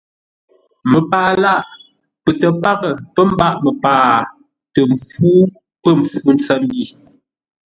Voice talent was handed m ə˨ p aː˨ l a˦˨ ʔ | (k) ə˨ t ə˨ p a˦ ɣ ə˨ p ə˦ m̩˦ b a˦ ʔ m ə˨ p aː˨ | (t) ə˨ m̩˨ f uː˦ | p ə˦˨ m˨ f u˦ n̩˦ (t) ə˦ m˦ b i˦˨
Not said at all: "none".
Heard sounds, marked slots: p, t, t͡s

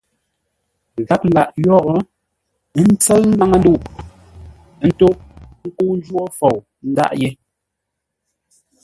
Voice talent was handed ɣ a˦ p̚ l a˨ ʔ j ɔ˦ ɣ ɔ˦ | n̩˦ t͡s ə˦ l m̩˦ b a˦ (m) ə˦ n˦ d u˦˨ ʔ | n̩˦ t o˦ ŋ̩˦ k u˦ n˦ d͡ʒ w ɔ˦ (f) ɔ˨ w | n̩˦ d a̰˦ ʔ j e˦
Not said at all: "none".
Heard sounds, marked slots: ŋ, f

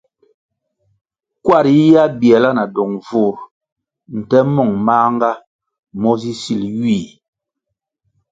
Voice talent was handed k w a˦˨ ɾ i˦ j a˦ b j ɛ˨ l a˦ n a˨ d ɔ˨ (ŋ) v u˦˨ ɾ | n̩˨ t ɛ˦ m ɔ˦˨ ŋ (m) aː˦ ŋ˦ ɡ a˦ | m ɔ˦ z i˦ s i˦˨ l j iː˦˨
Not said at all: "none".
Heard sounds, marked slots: ŋ, m

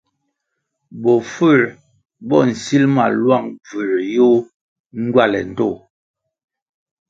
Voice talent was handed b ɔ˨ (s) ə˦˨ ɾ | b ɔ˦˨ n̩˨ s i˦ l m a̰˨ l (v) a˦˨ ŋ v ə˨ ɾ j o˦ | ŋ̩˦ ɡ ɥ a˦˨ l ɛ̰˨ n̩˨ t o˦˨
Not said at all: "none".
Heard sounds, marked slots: f, w

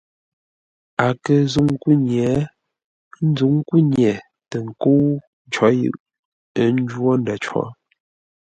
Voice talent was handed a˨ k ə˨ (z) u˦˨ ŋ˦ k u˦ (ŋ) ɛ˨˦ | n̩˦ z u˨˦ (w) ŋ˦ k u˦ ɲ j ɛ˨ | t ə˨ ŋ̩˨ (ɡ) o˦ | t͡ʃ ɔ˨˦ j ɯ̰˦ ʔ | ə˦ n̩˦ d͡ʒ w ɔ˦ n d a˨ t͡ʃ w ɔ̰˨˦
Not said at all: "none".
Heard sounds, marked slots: z, ɲ, none, k

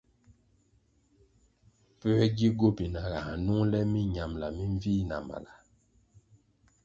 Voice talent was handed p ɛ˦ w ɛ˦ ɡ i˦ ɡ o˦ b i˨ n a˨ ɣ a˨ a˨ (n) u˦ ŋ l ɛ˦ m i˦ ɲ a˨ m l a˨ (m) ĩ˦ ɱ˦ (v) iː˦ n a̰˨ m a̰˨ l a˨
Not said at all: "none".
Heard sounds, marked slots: n, m, v

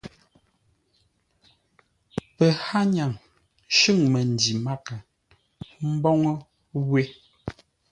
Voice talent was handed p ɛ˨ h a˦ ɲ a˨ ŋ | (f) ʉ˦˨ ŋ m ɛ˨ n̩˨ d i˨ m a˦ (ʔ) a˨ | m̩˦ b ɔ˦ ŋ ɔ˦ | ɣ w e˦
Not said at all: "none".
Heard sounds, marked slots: ʃ, k

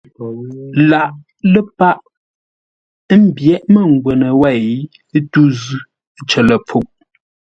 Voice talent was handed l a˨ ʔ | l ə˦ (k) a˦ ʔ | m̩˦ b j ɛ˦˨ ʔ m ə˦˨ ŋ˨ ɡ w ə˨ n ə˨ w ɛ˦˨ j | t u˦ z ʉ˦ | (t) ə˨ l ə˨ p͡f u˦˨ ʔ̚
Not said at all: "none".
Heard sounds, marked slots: p, t͡ʃ

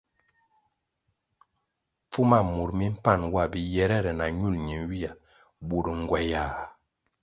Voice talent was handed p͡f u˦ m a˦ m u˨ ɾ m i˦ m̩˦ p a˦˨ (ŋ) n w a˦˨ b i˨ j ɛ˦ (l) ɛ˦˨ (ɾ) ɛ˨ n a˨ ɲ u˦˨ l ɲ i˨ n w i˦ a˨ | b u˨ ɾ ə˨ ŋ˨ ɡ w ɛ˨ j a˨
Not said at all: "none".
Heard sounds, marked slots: none, ɾ, ɾ

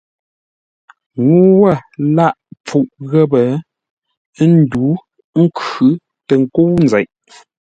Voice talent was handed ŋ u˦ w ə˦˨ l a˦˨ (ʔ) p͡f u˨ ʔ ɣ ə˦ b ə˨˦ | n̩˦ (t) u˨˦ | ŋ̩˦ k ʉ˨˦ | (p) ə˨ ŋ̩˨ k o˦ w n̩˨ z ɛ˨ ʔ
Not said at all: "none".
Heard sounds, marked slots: ʔ, d, t

